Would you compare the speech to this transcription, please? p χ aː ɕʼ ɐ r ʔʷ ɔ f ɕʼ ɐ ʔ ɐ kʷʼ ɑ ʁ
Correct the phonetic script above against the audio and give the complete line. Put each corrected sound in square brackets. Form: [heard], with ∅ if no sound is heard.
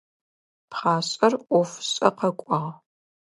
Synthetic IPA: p χ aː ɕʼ ɐ r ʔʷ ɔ f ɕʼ ɐ [q] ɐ kʷʼ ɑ ʁ